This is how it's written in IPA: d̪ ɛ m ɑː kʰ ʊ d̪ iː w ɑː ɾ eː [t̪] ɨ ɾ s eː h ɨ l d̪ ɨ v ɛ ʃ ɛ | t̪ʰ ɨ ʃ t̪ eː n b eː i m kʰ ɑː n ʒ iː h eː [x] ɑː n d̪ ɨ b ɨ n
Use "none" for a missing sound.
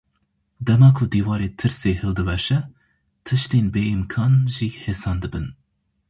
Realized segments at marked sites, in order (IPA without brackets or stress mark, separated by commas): t̪ʰ, s